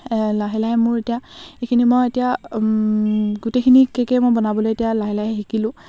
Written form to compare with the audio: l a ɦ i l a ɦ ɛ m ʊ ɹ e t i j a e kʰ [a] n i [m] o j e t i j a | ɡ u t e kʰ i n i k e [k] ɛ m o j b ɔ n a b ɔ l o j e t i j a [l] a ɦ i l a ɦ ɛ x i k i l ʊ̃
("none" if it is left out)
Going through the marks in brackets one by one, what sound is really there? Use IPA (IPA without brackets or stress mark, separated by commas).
i, m, k, l